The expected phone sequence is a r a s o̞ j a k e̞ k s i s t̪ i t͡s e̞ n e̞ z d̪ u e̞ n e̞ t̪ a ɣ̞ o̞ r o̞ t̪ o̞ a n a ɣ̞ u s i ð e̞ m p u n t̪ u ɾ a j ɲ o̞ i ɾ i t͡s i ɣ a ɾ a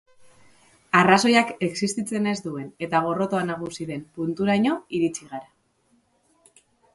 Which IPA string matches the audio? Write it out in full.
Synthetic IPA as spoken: a r a s o̞ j a k e̞ k s i s t̪ i t͡s e̞ n e̞ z d̪ u e̞ n e̞ t̪ a ɣ̞ o̞ r o̞ t̪ o̞ a n a ɣ̞ u s i ð e̞ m p u n t̪ u ɾ a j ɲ o̞ i ɾ i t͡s i ɣ a ɾ a